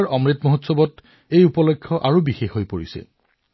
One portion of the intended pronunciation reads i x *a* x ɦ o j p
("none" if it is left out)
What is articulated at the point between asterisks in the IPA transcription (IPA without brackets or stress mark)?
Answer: e